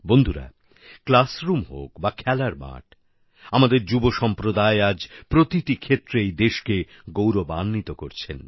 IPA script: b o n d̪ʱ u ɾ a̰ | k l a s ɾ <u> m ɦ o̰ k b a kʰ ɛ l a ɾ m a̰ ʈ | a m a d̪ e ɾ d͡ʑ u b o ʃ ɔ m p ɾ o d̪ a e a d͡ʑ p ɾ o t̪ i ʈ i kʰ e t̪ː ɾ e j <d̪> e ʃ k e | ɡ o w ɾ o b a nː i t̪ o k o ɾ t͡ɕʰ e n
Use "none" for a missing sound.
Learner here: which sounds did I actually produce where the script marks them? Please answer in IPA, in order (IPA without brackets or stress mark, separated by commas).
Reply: u, d̪